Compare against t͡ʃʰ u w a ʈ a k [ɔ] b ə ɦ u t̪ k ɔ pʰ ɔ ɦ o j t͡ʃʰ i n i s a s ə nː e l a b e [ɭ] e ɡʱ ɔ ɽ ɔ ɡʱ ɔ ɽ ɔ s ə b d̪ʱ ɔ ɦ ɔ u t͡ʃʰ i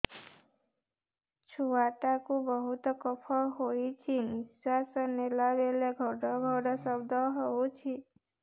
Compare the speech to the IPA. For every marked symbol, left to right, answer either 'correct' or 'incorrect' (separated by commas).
incorrect, incorrect